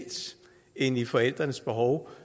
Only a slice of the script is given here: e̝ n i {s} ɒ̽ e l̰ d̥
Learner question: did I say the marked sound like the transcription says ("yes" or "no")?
no